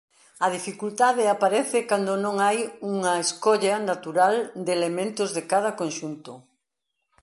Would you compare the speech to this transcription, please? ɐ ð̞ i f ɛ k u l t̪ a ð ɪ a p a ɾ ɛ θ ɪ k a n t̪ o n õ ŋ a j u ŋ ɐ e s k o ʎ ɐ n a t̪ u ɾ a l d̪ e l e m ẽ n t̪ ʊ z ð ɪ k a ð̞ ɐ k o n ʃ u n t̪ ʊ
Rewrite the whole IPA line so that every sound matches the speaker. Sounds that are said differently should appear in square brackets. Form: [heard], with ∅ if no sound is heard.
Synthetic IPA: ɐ ð̞ i f [i] k u l t̪ a ð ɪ a p a ɾ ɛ θ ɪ k a n [d̪] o n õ ŋ a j u ŋ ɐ e s k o ʎ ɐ n a t̪ u ɾ a l d̪ e l e m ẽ n t̪ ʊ z ð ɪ k a ð̞ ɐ k o n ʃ u n t̪ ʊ